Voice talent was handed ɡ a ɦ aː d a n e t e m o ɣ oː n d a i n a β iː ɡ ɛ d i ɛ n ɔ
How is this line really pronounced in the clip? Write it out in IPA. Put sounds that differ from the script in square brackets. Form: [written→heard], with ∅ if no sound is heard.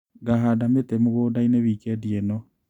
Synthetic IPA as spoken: ɡ a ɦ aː d a [n→m] e t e m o ɣ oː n d a i n [a→e] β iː [ɡ→k] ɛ d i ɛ n ɔ